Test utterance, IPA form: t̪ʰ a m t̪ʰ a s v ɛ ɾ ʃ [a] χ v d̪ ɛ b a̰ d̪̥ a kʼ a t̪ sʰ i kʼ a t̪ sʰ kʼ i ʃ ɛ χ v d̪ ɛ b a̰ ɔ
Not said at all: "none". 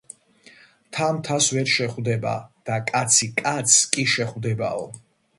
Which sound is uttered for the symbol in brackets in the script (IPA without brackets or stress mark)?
ɛ